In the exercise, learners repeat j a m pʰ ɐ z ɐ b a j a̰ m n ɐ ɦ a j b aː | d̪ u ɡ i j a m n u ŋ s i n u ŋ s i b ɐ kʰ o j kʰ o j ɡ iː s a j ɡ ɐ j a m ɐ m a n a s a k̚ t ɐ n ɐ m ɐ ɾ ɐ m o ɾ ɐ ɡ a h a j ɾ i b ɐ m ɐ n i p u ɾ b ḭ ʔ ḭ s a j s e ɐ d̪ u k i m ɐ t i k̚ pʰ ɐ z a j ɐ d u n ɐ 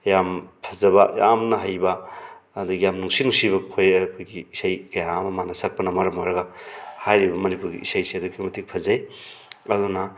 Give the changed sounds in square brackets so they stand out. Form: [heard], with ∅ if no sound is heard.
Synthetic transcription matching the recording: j a m pʰ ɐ z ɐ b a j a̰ m n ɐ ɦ a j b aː | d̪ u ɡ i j a m n u ŋ s i n u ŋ s i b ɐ kʰ o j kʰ o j ɡ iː s a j [k] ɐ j a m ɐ m a n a s a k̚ [p] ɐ n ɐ m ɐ ɾ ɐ m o ɾ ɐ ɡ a h a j ɾ i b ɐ m ɐ n i p u ɾ [ɡ] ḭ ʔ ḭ s a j s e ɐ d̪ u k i m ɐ t i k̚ pʰ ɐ z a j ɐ d u n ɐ